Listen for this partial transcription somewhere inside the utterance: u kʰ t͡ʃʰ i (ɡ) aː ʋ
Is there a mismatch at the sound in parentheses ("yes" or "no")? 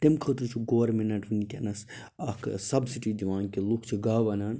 no